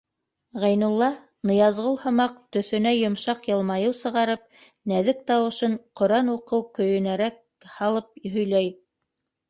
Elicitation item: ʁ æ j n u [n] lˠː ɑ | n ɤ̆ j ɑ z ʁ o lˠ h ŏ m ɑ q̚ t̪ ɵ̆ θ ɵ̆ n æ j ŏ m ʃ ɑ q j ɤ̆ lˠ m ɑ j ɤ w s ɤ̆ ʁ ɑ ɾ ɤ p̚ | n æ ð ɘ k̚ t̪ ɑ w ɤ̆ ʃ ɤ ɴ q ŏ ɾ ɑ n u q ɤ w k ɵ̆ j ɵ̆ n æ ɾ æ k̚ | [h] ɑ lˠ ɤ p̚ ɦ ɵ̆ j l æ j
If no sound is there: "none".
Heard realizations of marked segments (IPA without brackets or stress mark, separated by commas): none, h